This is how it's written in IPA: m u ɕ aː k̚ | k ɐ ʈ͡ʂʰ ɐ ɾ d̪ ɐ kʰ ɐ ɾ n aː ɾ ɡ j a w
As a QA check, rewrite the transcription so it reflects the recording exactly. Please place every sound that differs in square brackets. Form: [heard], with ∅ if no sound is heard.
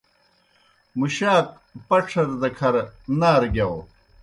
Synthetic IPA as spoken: m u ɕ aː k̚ | [p] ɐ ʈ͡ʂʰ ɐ ɾ d̪ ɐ kʰ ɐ ɾ n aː ɾ ɡ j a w